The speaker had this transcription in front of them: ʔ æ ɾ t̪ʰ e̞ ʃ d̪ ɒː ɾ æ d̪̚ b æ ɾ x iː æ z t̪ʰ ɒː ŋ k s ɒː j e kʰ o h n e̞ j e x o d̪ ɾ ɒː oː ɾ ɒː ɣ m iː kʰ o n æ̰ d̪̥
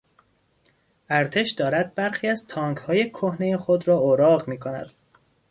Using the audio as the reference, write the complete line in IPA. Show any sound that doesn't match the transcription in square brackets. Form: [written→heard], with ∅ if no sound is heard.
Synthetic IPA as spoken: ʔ æ ɾ t̪ʰ e̞ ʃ d̪ ɒː ɾ æ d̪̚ b æ ɾ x iː æ z t̪ʰ ɒː ŋ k [s→h] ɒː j e kʰ o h n e̞ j e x o d̪ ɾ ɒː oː ɾ ɒː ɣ m iː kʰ o n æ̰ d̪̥

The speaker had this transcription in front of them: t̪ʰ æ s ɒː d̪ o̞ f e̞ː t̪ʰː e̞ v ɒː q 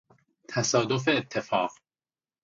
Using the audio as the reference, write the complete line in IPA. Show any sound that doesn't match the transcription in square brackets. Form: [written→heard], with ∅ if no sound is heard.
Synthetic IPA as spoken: t̪ʰ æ s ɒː d̪ o̞ f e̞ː t̪ʰː e̞ [v→f] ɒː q

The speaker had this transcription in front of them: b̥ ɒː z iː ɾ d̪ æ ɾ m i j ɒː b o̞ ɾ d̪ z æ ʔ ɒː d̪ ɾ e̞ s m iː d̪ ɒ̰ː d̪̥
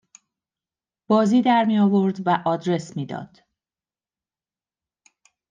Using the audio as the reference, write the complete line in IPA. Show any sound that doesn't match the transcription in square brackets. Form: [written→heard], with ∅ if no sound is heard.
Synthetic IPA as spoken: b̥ ɒː z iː [ɾ→∅] d̪ æ ɾ m i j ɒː [b→v] o̞ ɾ d̪ [z→v] æ ʔ ɒː d̪ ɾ e̞ s m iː d̪ ɒ̰ː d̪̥

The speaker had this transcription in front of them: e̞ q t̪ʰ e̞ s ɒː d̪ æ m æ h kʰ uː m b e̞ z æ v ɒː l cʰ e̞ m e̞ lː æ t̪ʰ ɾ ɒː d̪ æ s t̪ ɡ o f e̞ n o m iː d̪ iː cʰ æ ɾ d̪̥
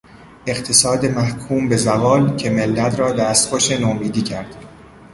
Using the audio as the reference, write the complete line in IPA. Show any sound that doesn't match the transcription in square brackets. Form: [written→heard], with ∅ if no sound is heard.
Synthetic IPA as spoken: e̞ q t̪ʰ e̞ s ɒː d̪ [æ→e] m æ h kʰ uː m b e̞ z æ v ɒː l cʰ e̞ m e̞ lː æ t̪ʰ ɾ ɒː d̪ æ s t̪ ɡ o [f→ʃ] e̞ n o m iː d̪ iː cʰ æ ɾ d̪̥

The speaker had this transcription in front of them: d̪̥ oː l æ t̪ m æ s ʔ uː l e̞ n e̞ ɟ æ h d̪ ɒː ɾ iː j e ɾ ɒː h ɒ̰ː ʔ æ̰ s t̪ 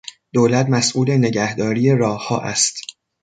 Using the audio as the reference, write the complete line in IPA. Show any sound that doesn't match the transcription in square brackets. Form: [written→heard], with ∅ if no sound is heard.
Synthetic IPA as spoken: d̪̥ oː l æ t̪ m æ s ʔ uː l e̞ n e̞ ɟ æ h d̪ ɒː ɾ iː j e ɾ ɒː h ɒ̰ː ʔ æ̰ s t̪

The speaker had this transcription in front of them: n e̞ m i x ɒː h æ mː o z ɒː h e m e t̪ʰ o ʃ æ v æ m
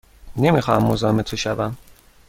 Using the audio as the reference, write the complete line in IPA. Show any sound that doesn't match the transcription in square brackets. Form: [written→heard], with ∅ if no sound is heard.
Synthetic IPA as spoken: n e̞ m i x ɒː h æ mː o z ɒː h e m e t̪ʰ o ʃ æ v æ m

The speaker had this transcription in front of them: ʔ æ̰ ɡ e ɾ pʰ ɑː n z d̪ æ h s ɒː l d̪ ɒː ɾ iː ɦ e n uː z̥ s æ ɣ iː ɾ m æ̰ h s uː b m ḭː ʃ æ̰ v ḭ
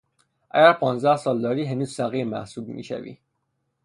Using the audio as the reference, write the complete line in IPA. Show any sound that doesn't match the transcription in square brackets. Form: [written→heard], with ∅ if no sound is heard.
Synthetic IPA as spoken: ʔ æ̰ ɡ [e→æ] ɾ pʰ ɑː n z d̪ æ h s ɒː l d̪ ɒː ɾ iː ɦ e n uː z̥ s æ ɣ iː ɾ m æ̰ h s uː b m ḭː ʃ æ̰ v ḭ

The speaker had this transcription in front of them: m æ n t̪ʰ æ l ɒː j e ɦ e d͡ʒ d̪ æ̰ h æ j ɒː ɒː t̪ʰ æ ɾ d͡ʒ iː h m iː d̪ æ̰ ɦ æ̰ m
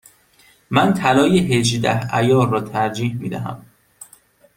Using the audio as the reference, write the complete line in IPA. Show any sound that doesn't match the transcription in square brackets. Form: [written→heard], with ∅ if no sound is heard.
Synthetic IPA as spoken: m æ n t̪ʰ æ l ɒː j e ɦ e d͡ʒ d̪ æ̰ h æ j ɒː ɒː t̪ʰ æ ɾ d͡ʒ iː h m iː d̪ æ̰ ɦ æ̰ m

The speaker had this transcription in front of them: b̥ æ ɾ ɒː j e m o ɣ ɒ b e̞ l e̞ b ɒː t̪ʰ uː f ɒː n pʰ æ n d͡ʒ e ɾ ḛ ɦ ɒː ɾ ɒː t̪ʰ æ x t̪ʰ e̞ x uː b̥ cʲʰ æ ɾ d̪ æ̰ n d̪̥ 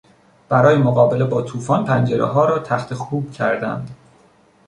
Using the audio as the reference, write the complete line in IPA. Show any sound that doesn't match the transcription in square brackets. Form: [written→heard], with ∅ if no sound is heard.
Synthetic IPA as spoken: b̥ æ ɾ ɒː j e m o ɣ [ɒ→ɒː] b e̞ l e̞ b ɒː t̪ʰ uː f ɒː n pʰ æ n d͡ʒ e ɾ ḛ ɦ ɒː ɾ ɒː t̪ʰ æ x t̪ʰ e̞ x uː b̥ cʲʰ æ ɾ d̪ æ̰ n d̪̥

